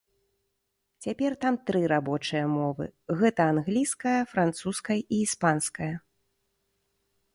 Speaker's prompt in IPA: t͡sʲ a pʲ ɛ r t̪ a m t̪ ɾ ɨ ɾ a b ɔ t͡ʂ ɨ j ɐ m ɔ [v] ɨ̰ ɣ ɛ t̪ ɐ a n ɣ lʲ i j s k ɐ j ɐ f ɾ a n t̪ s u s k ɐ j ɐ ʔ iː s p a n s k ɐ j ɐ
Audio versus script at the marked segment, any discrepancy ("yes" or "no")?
no